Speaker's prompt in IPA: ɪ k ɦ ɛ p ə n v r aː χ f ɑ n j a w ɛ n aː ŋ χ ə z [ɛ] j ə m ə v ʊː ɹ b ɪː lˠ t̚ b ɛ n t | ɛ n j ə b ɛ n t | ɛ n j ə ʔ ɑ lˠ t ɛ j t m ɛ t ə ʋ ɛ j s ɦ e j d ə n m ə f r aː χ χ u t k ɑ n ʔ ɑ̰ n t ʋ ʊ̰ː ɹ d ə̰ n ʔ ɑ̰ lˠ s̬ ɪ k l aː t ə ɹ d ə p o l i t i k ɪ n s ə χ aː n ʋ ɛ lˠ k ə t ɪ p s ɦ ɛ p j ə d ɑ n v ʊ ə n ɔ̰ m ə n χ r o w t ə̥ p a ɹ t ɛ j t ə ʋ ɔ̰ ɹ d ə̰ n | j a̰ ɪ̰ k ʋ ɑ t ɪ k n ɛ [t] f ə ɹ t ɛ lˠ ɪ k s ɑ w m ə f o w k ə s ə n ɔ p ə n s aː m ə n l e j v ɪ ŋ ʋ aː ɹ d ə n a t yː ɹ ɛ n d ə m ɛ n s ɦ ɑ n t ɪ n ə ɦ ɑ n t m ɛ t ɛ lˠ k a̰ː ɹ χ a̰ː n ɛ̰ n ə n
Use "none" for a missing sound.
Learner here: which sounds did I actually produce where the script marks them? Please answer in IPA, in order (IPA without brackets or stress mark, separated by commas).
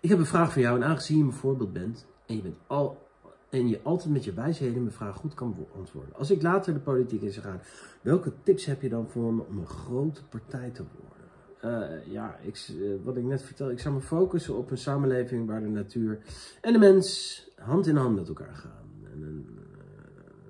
i, t